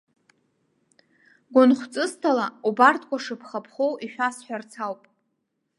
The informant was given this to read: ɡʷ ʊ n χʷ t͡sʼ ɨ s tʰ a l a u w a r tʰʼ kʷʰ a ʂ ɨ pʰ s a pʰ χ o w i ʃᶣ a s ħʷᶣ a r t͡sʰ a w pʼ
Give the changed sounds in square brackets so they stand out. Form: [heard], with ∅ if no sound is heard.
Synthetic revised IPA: ɡʷ ʊ n χʷ t͡sʼ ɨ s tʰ a l a u [b] a r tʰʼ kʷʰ a ʂ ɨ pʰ [χ] a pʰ χ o w i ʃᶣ a s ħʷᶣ a r t͡sʰ a w pʼ